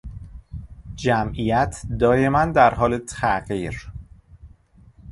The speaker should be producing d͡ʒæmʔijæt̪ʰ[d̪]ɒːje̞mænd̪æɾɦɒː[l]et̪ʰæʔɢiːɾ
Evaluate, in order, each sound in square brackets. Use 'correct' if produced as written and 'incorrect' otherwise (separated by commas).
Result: correct, correct